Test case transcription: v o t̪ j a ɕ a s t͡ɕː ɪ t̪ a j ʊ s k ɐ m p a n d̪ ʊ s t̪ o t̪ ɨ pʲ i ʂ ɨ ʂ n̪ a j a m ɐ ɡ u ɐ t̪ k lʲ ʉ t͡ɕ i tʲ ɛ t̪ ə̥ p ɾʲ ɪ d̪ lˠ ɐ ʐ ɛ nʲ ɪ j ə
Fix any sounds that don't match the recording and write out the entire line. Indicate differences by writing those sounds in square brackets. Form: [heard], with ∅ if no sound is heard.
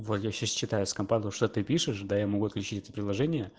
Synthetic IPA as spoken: v o t̪ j a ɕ a s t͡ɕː ɪ t̪ a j ʊ s k ɐ m p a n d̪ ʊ [ʂ] t̪ o t̪ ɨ pʲ i ʂ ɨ ʂ [d̪] a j a m ɐ ɡ u ɐ t̪ k lʲ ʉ t͡ɕ i tʲ ɛ t̪ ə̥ p ɾʲ ɪ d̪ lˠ ɐ ʐ ɛ nʲ ɪ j ə